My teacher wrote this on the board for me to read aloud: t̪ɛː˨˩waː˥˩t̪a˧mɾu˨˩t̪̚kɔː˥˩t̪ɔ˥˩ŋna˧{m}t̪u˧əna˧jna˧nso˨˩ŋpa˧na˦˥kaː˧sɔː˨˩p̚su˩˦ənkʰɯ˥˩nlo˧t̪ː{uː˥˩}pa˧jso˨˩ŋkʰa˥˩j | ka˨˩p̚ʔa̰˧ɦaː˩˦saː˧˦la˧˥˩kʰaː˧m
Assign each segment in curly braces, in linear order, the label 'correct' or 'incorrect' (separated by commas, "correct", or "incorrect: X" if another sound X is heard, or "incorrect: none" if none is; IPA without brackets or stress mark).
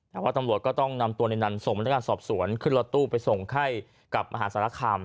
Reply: correct, correct